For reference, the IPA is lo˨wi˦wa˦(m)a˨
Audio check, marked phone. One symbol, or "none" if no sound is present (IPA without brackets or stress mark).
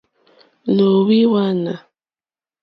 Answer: n